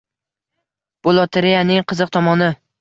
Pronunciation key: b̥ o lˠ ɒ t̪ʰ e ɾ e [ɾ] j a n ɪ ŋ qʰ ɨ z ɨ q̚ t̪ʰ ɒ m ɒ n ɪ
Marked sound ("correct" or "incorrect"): incorrect